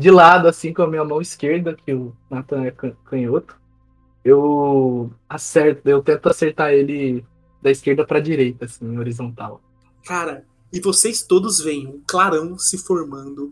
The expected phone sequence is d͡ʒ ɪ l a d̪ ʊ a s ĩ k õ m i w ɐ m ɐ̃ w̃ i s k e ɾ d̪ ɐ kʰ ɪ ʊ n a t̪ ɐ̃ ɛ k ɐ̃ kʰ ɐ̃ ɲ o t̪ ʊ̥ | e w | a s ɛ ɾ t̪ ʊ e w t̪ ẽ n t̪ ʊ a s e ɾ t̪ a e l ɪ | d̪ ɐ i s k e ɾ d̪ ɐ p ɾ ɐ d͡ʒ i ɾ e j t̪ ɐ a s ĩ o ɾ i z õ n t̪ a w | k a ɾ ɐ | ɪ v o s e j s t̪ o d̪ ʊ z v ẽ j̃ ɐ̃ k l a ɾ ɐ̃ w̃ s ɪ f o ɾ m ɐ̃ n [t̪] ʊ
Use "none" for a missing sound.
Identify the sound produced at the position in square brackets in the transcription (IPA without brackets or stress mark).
d̪